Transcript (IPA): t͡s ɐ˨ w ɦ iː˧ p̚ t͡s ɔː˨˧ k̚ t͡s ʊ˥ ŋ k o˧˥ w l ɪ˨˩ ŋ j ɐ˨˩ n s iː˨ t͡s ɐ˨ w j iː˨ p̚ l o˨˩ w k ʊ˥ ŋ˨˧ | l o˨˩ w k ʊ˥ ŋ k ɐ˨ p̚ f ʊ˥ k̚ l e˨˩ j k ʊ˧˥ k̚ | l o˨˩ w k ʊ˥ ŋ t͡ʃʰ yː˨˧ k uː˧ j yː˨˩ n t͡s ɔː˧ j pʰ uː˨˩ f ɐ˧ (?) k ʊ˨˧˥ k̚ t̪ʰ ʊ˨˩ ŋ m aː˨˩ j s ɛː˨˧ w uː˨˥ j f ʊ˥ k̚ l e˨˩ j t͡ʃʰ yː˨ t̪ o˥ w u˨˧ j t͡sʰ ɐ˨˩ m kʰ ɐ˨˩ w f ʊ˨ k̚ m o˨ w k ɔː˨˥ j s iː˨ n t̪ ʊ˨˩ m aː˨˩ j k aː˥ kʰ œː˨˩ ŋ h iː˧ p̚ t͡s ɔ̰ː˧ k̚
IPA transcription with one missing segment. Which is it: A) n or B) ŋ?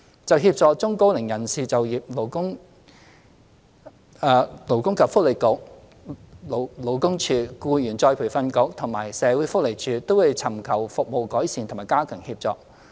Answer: A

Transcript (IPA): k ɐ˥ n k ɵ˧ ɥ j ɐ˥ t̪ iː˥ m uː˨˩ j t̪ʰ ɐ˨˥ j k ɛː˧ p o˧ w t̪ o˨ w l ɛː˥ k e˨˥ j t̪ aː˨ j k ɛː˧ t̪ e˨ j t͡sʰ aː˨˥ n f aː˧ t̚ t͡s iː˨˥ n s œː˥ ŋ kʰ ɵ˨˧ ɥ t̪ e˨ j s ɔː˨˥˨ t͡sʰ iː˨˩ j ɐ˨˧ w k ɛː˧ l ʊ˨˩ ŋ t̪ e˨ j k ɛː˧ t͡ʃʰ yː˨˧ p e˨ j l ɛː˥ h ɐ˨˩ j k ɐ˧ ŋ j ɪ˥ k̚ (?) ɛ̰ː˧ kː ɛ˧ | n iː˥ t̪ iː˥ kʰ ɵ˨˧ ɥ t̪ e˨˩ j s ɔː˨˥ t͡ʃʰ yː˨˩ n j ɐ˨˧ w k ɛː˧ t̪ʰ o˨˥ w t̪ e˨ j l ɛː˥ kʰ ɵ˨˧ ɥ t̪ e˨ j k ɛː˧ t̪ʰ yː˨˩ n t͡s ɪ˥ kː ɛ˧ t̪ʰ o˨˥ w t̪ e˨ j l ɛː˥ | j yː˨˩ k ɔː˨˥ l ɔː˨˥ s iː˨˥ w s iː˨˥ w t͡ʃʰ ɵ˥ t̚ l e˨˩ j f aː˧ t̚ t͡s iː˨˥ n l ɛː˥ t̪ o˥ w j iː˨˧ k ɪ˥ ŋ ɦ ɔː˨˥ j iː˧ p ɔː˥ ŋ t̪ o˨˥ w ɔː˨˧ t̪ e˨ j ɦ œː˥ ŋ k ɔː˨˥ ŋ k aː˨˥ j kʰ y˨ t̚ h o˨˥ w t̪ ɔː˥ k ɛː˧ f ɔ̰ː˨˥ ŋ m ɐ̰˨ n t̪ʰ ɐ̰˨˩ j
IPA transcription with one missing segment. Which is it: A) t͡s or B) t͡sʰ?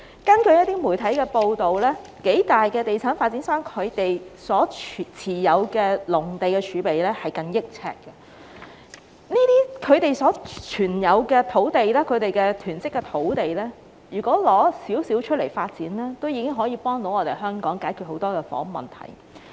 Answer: B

